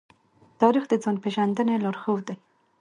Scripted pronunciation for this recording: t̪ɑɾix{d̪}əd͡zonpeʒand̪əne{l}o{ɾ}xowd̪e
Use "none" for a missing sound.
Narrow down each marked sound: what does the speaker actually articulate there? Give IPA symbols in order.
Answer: d̪, l, ɾ

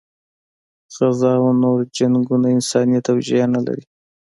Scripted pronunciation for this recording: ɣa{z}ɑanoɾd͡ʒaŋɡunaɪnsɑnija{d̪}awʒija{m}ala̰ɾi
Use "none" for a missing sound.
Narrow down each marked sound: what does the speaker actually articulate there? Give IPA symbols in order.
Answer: z, t̪, n

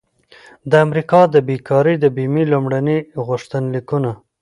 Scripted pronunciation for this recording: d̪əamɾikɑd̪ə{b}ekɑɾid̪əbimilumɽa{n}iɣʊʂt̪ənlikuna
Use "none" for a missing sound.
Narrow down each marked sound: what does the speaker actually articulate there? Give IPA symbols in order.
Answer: b, n

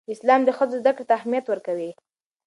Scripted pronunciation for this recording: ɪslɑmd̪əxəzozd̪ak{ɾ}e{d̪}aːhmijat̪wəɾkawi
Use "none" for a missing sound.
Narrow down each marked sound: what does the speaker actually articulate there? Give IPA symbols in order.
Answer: ɽ, t̪

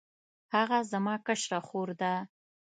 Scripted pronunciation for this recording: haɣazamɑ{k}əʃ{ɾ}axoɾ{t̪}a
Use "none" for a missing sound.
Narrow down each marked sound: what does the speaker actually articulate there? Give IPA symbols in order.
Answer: k, ɾ, d̪

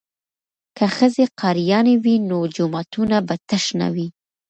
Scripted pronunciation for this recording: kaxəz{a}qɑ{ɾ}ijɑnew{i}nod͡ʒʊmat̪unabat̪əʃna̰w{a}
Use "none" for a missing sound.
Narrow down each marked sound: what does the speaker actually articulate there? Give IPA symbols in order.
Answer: e, ɾ, i, i

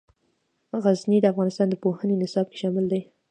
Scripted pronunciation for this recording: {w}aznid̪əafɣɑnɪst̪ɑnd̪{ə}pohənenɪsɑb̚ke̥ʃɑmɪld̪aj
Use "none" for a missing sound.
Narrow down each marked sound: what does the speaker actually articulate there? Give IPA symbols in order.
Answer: ɣ, ə

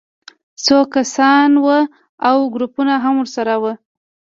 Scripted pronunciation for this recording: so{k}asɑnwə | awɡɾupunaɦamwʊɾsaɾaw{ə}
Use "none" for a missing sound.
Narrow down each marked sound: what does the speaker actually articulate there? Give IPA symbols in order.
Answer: k, ə

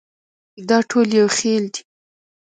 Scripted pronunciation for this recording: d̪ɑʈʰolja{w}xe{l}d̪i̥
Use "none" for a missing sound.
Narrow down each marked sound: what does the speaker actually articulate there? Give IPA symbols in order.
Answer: w, l

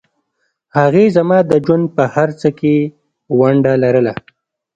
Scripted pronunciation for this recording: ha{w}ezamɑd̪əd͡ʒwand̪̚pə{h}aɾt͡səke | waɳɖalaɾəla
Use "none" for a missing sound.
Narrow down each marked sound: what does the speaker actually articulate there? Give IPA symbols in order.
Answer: ɣ, h

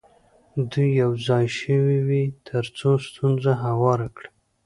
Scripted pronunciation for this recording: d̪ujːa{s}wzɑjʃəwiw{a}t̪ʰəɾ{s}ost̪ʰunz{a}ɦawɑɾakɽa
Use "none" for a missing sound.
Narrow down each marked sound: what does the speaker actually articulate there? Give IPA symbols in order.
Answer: none, i, t͡s, a

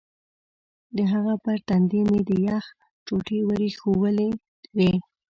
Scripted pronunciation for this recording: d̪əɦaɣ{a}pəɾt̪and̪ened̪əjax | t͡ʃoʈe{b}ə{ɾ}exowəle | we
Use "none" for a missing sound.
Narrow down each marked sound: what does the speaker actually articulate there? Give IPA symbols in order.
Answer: a, w, ɾ

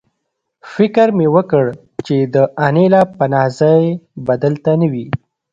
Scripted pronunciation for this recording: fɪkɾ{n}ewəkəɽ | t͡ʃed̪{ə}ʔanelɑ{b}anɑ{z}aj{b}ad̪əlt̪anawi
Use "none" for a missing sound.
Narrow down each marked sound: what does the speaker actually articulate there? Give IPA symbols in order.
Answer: m, ə, p, z, b

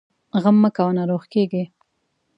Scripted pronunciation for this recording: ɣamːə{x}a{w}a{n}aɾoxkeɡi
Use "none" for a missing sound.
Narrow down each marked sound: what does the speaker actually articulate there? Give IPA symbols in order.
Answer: k, w, n

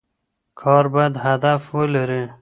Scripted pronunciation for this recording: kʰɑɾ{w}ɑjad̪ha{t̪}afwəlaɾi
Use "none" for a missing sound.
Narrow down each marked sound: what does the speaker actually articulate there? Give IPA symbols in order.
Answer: b, d̪

